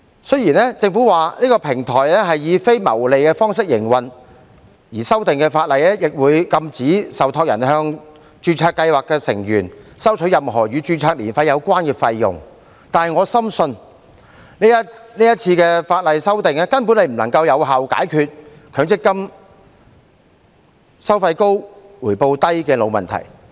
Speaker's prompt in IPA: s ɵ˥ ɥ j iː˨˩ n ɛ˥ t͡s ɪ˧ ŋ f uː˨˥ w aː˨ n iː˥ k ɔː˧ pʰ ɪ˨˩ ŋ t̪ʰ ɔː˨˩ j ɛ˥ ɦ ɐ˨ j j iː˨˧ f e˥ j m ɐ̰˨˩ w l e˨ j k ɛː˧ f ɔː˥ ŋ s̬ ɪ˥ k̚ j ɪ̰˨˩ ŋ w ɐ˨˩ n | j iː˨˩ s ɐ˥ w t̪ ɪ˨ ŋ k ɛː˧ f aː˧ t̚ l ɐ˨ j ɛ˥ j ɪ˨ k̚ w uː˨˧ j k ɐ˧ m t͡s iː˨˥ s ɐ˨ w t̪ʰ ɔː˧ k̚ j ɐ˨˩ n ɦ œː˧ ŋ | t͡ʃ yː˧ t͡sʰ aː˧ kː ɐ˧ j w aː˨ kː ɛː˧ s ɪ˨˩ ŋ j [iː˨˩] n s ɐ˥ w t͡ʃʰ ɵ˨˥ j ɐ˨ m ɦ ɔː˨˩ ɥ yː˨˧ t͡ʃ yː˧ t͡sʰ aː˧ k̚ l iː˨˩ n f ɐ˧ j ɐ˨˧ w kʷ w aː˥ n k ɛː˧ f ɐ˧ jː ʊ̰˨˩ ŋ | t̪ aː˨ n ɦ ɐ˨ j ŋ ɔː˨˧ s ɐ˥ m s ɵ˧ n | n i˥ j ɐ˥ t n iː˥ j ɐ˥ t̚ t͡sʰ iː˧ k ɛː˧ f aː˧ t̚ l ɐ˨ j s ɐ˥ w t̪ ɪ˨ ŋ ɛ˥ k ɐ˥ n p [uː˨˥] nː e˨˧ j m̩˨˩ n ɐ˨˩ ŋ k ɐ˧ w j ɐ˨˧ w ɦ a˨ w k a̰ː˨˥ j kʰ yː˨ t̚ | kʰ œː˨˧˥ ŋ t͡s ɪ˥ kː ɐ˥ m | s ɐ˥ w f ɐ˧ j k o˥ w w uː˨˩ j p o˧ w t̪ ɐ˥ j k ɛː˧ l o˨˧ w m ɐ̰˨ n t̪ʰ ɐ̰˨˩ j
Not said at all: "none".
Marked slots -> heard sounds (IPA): yː˨˩, u˨˥

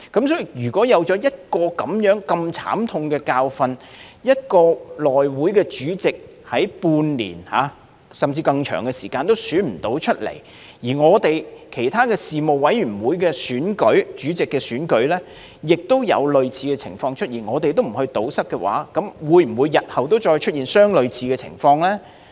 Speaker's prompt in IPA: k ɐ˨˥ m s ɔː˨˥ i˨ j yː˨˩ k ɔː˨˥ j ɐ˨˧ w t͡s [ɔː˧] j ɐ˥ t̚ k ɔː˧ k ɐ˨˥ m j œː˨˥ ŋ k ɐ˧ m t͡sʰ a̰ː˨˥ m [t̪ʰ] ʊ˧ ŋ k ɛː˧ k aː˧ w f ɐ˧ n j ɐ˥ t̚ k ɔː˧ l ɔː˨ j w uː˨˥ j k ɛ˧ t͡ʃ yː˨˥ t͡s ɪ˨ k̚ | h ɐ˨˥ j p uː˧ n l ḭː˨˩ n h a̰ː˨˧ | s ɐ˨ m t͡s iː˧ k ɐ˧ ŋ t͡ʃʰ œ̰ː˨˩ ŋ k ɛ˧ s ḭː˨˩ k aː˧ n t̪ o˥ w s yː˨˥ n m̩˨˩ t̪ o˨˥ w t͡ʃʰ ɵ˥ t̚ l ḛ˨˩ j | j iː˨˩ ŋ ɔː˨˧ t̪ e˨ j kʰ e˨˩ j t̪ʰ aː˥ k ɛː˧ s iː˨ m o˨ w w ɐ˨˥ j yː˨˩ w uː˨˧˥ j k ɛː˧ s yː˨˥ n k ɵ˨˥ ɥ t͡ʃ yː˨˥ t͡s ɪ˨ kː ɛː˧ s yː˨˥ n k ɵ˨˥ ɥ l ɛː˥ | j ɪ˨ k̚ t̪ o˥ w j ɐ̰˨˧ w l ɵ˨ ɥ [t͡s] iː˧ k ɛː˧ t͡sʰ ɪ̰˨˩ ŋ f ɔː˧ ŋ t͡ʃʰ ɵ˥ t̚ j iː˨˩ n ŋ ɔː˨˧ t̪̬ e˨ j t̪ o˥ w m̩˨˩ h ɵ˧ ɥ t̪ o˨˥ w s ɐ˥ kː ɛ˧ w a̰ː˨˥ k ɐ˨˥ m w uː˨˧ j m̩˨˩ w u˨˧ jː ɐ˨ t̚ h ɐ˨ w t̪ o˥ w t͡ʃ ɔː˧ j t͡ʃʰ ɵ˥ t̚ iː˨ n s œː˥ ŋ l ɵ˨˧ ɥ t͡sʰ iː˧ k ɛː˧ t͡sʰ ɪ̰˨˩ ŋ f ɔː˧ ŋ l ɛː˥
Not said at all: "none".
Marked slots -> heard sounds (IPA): ɔː˨˥, t̪ʰ, t͡sʰ

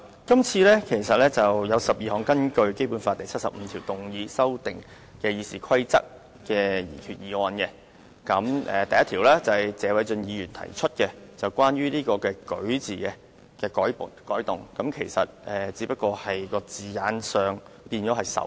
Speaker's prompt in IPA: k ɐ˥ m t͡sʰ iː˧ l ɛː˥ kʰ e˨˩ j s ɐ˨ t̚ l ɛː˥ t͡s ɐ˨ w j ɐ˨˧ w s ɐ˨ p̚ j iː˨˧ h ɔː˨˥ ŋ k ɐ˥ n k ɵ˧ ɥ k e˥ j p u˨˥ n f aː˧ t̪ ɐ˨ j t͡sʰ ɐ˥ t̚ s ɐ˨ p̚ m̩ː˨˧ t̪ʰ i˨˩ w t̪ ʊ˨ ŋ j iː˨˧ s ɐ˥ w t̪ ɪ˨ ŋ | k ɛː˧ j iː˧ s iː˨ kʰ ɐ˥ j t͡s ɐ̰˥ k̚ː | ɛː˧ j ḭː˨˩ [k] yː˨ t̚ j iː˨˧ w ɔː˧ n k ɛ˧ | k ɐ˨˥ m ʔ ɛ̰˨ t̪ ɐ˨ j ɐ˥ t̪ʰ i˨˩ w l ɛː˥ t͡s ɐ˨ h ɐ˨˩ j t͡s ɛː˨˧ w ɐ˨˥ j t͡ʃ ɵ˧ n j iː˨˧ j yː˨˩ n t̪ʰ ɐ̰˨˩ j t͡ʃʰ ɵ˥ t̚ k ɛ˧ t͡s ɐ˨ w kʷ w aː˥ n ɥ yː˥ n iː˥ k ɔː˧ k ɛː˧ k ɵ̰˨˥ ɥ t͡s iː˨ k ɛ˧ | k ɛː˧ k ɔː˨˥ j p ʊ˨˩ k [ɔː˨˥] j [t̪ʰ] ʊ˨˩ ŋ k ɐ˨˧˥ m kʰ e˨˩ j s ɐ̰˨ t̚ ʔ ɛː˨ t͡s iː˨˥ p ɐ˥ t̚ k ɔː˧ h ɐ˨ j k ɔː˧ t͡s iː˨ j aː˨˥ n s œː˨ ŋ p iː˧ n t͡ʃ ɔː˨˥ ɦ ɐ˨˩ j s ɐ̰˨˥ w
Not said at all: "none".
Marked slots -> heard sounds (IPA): kʰ, ɔː˨˥, t̪

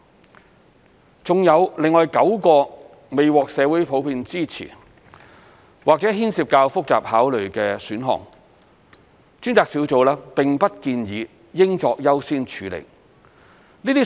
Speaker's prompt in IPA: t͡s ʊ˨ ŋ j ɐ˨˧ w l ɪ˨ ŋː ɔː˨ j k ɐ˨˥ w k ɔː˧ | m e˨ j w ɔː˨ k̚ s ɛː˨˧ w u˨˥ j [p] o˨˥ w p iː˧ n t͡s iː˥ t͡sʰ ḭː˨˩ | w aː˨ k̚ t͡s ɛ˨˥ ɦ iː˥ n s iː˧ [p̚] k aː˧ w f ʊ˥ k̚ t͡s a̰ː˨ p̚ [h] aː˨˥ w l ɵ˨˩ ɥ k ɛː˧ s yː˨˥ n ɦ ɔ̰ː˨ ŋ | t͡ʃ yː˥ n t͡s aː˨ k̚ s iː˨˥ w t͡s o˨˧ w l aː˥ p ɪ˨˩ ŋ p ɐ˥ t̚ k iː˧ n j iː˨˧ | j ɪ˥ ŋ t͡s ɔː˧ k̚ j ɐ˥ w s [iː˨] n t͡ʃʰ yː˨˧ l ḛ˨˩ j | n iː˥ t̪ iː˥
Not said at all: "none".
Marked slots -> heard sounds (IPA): pʰ, p̚, h, iː˥

